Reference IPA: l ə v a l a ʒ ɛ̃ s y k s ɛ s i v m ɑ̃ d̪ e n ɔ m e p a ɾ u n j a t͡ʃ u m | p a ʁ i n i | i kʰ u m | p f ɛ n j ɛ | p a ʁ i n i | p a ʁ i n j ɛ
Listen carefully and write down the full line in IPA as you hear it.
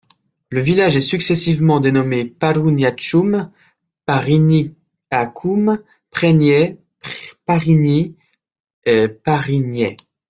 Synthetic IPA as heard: l ə v i l a ʒ ɛ s y k s ɛ s i v m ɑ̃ d̪ e n ɔ m e p a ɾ u n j a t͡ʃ u m | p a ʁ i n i | a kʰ u m | p χ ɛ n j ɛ | p a ʁ i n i | p a ʁ i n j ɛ